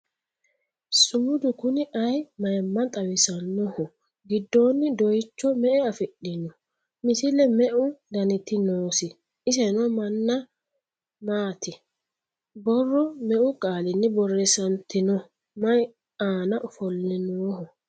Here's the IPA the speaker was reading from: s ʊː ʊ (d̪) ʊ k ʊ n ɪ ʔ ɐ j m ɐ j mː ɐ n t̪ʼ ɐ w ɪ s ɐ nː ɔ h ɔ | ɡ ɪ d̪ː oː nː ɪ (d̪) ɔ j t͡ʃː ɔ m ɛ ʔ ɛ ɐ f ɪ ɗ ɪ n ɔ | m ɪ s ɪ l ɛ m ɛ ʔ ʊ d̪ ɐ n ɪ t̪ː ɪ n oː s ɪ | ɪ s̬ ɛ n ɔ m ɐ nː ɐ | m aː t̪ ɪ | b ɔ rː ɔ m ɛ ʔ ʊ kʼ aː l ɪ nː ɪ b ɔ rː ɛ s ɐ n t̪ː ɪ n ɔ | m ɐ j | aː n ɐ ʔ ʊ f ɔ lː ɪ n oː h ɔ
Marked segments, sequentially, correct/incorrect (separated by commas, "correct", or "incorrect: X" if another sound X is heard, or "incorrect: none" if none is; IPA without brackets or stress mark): correct, correct